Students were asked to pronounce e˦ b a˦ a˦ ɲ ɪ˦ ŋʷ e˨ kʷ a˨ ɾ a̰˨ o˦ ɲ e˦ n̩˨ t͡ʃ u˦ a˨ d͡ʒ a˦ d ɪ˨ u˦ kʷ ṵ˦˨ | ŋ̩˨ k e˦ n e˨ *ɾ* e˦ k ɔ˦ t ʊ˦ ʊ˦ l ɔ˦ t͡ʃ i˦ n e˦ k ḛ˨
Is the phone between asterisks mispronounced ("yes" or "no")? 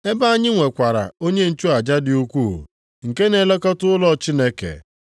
yes